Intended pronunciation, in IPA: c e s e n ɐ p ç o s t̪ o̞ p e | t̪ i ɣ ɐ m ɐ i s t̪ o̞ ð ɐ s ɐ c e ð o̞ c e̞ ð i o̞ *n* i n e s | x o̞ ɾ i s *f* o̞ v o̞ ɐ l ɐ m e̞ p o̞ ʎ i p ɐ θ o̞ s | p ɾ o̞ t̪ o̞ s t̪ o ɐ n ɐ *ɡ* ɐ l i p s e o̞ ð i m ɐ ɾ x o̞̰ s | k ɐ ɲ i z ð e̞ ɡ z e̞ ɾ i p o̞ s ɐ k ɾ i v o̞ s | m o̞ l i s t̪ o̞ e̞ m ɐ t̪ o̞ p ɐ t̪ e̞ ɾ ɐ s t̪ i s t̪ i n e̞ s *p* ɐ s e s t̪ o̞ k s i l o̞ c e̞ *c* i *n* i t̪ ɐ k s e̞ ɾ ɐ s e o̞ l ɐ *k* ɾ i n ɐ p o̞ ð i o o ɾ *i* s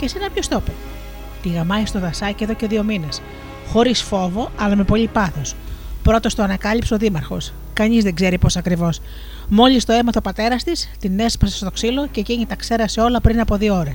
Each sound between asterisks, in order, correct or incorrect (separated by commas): incorrect, correct, incorrect, correct, correct, incorrect, incorrect, incorrect